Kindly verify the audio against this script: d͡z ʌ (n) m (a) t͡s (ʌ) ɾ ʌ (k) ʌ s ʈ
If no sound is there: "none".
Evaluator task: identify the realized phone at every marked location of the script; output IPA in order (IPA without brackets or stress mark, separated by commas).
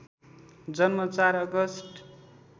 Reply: n, ʌ, a, ɡ